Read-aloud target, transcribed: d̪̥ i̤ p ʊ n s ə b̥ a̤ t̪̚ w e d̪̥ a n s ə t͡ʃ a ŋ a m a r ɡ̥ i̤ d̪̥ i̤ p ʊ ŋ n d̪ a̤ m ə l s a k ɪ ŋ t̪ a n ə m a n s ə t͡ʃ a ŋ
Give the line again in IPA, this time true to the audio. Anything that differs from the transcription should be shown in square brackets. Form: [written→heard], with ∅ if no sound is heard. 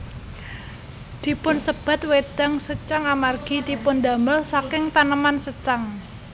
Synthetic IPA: d̪̥ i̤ p ʊ n s ə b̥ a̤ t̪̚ w e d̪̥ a [n→ŋ] s ə t͡ʃ a ŋ a m a r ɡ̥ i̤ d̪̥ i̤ p ʊ [ŋ→∅] n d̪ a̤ m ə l s a k ɪ ŋ t̪ a n ə m a n s ə t͡ʃ a ŋ